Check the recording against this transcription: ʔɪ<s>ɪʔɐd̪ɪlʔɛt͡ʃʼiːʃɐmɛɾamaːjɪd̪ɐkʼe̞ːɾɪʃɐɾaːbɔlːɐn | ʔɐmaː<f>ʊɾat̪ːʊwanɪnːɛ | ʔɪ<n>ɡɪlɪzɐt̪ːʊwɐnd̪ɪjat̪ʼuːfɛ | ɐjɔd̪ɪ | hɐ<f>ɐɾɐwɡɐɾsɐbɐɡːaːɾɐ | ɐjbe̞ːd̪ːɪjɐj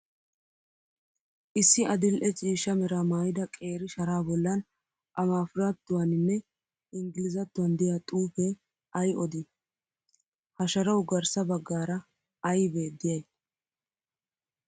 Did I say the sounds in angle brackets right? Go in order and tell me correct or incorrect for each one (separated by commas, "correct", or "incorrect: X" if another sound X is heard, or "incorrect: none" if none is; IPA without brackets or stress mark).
incorrect: sː, correct, incorrect: ŋ, incorrect: ʃ